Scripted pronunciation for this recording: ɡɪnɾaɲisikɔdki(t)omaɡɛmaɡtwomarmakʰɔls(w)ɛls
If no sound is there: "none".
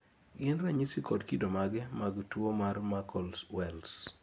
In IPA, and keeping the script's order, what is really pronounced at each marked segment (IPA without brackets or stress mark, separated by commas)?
d, w